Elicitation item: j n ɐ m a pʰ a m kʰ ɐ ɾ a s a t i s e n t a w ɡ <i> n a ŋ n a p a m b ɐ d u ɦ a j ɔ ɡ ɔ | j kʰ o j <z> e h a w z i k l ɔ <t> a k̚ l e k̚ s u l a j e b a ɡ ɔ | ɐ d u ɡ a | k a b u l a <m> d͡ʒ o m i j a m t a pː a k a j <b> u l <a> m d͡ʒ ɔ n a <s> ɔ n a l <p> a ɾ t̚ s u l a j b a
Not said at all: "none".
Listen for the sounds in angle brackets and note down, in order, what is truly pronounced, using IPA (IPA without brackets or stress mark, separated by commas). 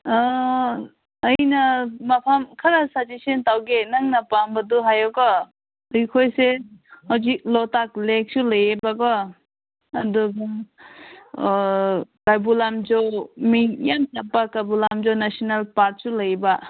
e, s, t, m, b, a, s, p